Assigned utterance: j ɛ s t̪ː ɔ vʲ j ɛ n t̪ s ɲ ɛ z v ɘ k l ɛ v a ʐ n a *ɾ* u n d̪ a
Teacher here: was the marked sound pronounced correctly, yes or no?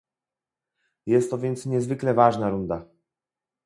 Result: yes